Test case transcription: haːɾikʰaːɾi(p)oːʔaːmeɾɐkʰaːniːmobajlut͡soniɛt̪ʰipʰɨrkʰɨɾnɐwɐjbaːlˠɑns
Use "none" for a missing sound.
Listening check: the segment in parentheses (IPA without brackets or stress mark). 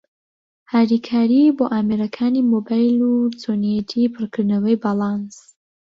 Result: b